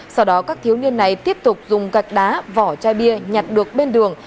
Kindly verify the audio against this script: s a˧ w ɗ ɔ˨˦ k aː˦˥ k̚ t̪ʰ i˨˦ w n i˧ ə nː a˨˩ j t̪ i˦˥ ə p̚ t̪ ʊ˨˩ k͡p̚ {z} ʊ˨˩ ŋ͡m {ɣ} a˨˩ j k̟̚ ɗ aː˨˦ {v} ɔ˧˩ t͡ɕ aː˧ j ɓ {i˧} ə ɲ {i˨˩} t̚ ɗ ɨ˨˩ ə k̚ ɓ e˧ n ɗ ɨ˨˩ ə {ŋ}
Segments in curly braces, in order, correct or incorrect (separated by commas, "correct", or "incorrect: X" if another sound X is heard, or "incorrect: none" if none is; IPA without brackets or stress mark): correct, correct, correct, correct, incorrect: a˨˩, correct